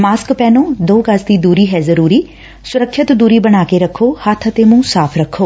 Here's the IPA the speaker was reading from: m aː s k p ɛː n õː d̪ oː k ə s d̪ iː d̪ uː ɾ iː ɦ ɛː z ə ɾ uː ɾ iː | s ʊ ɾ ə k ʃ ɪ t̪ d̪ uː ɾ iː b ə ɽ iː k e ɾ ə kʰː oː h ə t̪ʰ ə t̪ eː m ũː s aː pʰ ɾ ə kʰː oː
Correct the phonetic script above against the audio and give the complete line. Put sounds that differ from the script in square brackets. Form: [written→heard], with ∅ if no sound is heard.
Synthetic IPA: m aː s k p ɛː n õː d̪ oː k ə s d̪ iː d̪ uː ɾ iː ɦ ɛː z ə ɾ uː ɾ iː | s ʊ ɾ ə k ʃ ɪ t̪ d̪ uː ɾ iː b ə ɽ [iː→aː] k e ɾ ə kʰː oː h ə t̪ʰ ə t̪ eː m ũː s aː pʰ ɾ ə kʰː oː